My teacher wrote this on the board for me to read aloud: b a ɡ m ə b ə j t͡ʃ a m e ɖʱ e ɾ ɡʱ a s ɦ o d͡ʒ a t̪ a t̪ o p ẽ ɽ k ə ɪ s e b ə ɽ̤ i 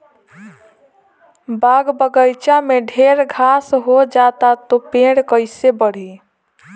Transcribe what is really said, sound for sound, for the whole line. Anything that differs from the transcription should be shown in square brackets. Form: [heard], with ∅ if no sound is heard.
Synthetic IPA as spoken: b a ɡ [b] ə [ɡ] ə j t͡ʃ a m e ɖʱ e ɾ ɡʱ a s ɦ o d͡ʒ a t̪ a t̪ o p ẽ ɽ k ə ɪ s e b ə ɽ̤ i

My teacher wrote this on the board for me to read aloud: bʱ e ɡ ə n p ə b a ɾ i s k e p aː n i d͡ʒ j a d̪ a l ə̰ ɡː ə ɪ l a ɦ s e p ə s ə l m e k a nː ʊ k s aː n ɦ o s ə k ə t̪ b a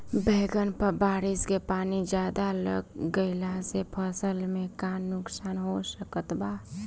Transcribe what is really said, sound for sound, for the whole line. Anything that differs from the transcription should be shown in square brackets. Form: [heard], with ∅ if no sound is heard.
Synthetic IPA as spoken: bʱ e ɡ ə n p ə b a ɾ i s k e p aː n i d͡ʒ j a d̪ a l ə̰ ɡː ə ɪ l a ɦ s e [pʰ] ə s ə l m e k a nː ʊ k s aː n ɦ o s ə k ə t̪ b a

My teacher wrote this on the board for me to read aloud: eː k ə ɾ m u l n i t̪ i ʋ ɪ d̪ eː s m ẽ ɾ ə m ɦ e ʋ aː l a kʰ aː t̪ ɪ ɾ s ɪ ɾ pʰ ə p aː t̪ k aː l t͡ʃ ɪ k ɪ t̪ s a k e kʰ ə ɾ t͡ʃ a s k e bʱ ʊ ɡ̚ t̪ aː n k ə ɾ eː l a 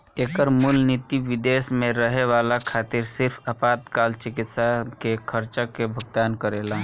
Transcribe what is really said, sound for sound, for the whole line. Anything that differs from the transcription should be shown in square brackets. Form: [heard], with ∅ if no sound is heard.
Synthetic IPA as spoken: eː k ə ɾ m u l n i t̪ i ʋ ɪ d̪ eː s m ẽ ɾ ə [∅] ɦ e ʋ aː l a kʰ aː t̪ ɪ ɾ s ɪ ɾ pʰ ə p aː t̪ k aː l t͡ʃ ɪ k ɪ t̪ s a k e kʰ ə ɾ t͡ʃ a [∅] k e bʱ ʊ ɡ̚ t̪ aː n k ə ɾ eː l a

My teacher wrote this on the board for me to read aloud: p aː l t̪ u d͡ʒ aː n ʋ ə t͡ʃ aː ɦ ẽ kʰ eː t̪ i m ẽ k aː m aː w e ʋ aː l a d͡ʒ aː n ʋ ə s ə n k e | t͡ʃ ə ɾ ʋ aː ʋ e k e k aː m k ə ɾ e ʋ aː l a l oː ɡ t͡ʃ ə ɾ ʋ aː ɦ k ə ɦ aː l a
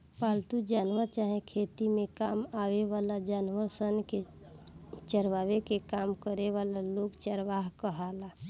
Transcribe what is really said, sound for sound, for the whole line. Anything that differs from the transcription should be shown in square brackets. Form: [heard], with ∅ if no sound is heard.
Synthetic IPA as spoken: p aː l t̪ u d͡ʒ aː n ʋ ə t͡ʃ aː ɦ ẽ kʰ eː t̪ i m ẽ k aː m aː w e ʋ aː l a d͡ʒ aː n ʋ ə s ə n k e | t͡ʃ ə ɾ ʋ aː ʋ e k e k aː m k ə ɾ e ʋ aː l a l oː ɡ t͡ʃ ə ɾ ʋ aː ɦ k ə ɦ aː l a

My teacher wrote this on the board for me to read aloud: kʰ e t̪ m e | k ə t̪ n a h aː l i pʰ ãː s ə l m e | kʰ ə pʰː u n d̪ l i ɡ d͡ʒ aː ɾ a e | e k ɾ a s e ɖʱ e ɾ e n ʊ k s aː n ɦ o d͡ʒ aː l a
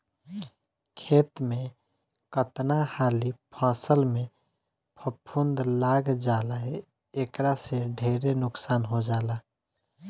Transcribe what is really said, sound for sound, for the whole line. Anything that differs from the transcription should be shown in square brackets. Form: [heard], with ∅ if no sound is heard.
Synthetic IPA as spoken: kʰ e t̪ m e | k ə t̪ n a h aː l i pʰ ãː s ə l m e | [pʰ] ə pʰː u n d̪ l [a] ɡ d͡ʒ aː [l] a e | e k ɾ a s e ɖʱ e ɾ e n ʊ k s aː n ɦ o d͡ʒ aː l a

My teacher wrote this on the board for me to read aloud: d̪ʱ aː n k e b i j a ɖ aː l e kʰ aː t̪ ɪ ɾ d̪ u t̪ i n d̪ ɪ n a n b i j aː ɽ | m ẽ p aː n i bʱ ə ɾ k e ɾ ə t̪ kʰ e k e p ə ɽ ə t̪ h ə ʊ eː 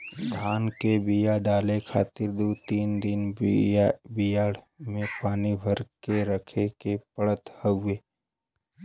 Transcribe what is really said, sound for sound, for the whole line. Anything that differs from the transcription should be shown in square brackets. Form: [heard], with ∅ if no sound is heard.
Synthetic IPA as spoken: d̪ʱ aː n k e b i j a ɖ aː l e kʰ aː t̪ ɪ ɾ d̪ u t̪ [iː] n d̪ ɪ n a [∅] b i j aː ɽ | m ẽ p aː n i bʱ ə ɾ k e ɾ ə [∅] kʰ e k e p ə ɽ ə t̪ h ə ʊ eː

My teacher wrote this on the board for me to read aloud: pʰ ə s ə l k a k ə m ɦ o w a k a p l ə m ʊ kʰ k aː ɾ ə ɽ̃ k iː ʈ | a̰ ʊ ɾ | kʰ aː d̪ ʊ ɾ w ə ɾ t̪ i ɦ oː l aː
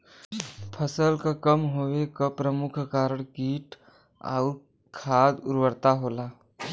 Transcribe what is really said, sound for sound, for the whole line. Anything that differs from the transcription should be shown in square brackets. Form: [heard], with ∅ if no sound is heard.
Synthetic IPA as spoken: pʰ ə s ə l k a k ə m ɦ o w [e] k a p [ɾ] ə m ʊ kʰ k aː ɾ ə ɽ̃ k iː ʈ | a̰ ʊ ɾ | kʰ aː d̪ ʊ ɾ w ə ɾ t̪ [a] ɦ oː l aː

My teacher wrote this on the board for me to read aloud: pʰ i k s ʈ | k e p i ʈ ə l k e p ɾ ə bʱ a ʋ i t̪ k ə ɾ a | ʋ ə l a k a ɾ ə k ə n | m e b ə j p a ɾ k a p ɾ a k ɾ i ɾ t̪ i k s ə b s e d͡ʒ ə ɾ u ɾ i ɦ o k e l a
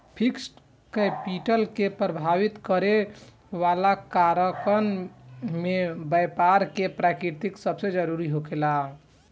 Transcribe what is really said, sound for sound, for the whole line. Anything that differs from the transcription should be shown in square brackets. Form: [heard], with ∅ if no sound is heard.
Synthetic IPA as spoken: pʰ i k s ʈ | k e p i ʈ ə l k e p ɾ ə bʱ a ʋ i t̪ k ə ɾ [e] | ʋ [a] l a k a ɾ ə k ə n | m e b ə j p a ɾ k [e] p ɾ a k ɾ i ɾ t̪ i k s ə b s e d͡ʒ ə ɾ u ɾ i ɦ o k e l a

